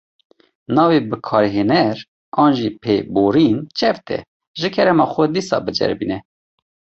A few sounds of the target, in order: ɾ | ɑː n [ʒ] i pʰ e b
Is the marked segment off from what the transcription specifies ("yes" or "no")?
no